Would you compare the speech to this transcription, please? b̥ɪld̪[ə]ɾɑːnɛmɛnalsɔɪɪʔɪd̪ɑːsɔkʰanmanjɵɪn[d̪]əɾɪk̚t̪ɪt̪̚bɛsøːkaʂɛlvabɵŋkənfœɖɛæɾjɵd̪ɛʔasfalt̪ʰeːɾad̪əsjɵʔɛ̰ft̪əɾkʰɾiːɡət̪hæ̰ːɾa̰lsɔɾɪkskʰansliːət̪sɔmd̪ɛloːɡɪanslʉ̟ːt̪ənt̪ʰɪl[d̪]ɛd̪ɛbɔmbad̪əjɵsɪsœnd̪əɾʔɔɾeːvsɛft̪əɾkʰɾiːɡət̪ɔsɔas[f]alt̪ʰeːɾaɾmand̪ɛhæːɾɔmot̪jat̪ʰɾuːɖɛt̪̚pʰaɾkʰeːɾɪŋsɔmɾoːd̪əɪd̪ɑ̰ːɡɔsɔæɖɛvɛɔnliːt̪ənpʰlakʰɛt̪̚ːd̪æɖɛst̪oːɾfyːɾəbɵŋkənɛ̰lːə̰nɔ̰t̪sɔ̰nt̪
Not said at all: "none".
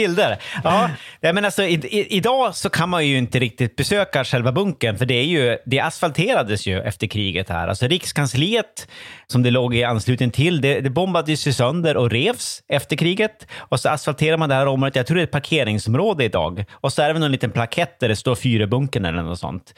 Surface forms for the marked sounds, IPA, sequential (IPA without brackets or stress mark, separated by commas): ə, t̪, d̪, f